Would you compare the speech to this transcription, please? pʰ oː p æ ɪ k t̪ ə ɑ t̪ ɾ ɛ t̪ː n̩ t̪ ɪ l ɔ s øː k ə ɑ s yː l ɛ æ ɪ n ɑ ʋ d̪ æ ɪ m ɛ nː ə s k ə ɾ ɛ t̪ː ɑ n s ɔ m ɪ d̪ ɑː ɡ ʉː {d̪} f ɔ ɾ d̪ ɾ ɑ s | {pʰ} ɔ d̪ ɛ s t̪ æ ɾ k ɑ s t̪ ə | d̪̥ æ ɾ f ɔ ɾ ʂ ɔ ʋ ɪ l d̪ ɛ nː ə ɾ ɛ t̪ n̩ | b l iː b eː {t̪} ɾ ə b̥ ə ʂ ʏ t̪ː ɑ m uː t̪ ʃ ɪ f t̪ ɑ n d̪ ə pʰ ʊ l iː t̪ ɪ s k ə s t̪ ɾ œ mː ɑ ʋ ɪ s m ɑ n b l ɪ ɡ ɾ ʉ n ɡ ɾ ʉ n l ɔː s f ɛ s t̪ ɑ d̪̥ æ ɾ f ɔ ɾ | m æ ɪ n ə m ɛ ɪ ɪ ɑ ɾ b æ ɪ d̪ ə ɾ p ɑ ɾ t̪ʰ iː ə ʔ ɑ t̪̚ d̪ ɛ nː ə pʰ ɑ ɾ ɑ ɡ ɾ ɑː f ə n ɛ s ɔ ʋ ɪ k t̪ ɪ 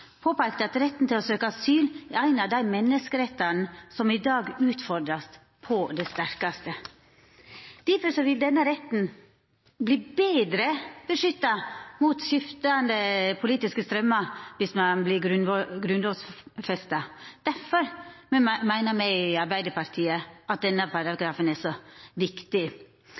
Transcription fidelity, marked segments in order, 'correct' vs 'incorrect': incorrect: t̪, correct, incorrect: d̪

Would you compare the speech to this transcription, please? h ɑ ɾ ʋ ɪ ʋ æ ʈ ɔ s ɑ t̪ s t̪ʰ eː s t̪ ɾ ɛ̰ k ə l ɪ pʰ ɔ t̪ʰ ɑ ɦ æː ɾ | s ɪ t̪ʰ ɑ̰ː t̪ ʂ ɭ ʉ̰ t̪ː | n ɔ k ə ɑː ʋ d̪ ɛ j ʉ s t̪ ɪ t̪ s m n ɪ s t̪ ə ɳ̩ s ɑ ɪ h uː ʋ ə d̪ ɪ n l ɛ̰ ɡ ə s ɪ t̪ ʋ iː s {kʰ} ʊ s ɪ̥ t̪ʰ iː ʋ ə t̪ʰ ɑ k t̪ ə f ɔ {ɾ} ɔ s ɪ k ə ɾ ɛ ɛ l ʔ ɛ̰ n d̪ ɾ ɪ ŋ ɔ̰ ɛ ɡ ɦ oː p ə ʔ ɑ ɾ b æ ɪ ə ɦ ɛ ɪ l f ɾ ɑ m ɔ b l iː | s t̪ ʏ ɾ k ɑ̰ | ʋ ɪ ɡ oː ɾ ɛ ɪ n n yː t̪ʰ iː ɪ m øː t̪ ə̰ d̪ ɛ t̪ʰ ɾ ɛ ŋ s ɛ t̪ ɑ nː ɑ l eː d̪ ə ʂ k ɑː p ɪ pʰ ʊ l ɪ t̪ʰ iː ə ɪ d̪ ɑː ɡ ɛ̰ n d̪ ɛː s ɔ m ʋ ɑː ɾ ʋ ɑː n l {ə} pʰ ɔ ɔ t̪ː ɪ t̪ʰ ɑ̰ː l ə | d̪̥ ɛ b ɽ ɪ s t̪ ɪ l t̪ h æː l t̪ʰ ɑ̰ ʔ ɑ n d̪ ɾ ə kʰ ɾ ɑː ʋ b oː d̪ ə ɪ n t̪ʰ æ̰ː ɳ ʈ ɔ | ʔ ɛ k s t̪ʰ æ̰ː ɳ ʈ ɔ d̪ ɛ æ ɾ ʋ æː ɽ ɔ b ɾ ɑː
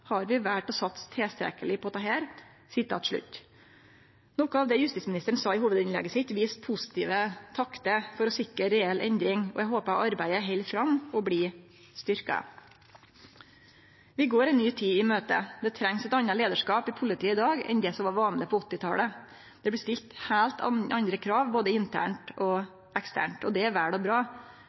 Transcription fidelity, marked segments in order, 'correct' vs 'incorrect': incorrect: pʰ, correct, correct

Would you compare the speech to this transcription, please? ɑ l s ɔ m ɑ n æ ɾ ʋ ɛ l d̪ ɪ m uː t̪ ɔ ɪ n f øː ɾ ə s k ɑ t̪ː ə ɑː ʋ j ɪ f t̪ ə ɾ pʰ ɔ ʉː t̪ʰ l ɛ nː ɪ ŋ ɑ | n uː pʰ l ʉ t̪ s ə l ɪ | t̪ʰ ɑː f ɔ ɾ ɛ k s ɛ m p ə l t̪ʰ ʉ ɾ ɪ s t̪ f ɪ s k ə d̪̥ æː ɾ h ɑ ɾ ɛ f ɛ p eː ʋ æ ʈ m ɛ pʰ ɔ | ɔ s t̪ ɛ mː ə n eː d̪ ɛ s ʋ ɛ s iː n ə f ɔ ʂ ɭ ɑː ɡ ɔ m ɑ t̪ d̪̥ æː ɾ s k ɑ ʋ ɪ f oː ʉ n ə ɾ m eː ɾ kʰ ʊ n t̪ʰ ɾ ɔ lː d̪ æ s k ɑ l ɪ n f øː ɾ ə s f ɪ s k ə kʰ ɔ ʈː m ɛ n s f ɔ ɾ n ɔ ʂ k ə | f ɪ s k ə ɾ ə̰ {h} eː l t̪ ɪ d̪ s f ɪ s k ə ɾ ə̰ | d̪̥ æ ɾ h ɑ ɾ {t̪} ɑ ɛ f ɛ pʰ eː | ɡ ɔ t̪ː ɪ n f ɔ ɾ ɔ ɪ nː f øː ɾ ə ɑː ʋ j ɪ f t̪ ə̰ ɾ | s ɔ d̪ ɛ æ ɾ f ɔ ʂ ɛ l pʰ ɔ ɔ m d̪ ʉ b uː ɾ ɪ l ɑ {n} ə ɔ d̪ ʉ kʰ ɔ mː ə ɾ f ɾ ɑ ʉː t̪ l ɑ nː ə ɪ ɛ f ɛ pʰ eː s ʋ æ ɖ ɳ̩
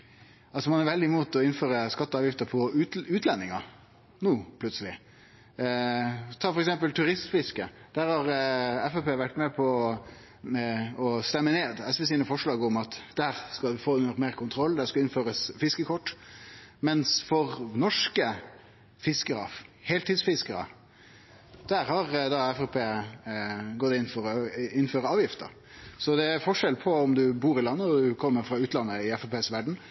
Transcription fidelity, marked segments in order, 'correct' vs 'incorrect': correct, incorrect: d̪, incorrect: nː

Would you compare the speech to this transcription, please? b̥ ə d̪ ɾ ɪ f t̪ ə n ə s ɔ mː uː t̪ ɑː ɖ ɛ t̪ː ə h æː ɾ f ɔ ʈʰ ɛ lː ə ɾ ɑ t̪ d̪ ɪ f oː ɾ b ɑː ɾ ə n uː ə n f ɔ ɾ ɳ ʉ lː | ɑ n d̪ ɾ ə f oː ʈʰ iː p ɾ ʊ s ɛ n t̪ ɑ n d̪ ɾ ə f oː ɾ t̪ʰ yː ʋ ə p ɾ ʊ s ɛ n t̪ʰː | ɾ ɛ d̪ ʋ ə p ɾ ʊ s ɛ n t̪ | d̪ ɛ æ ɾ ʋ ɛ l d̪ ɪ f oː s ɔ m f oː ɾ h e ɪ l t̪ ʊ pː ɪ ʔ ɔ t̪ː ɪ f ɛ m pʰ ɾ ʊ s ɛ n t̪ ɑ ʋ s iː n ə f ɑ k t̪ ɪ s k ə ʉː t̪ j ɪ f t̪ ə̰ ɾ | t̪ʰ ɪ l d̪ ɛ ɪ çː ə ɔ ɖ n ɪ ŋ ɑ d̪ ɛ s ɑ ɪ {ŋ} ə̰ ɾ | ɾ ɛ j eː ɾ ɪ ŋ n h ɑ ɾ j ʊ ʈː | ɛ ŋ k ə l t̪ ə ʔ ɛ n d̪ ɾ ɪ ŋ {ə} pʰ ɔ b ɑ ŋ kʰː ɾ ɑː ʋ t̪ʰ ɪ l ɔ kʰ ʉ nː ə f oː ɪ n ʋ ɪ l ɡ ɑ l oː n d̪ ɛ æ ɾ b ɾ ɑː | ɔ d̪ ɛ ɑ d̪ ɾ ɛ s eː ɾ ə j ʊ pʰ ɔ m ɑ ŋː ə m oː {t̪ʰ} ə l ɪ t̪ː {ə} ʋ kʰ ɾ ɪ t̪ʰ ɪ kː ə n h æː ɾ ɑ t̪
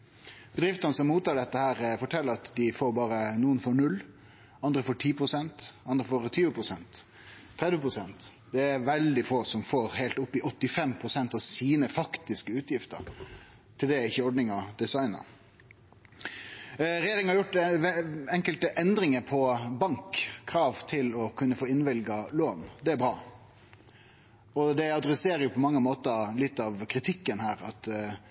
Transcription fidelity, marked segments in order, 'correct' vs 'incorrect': incorrect: n, correct, incorrect: t̪, incorrect: ɑ

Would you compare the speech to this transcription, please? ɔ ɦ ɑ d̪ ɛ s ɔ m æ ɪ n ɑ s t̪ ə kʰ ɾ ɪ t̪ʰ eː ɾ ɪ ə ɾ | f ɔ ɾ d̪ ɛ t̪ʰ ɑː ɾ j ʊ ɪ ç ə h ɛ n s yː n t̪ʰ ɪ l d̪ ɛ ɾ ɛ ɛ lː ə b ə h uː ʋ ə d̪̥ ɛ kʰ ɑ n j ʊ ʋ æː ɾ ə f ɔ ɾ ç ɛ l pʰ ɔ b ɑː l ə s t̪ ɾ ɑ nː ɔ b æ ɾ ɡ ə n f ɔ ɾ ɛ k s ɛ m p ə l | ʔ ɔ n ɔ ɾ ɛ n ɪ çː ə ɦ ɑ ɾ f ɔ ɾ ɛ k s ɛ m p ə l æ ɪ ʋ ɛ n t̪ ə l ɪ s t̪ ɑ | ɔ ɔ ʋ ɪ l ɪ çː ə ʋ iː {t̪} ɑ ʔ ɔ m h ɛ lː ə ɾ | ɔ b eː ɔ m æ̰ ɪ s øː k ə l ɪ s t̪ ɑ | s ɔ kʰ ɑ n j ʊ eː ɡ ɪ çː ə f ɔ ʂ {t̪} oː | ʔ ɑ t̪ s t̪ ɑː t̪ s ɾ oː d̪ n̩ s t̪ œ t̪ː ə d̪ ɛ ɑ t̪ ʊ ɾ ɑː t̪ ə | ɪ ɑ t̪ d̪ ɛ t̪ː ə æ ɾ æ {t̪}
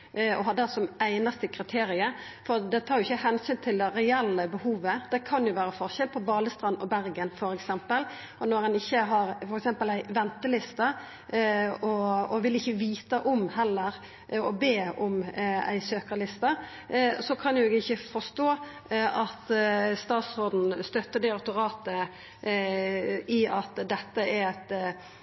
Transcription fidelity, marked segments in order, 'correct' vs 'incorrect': correct, correct, correct

